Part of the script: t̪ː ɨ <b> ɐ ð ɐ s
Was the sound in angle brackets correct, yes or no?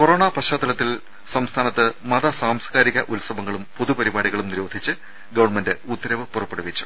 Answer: no